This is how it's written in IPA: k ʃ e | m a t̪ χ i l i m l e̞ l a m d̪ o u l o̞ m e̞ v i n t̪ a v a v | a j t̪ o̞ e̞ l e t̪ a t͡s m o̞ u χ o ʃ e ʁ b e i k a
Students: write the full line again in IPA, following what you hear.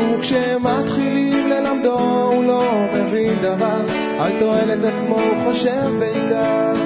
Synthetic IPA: k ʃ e | m a t̪ χ i l i m l e̞ l a m d̪ o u l o̞ m e̞ v i n d̪ a v a ʁ | a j t̪ o̞ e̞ l e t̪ a t͡s m o̞ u χ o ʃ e v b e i k a